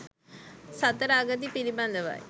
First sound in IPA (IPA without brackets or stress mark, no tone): s